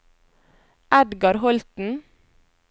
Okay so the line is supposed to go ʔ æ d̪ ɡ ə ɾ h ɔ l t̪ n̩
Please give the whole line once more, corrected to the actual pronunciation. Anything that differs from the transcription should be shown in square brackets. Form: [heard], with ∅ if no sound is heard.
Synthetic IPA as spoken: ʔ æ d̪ ɡ [ɑ] ɾ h ɔ l t̪ n̩